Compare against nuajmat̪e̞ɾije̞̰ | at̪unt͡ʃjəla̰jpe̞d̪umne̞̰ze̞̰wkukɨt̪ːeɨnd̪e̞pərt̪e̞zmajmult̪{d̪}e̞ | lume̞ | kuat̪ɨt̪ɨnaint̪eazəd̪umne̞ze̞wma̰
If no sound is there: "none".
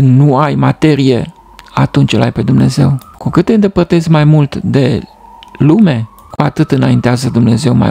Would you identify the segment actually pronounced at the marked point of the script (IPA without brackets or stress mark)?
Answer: d̪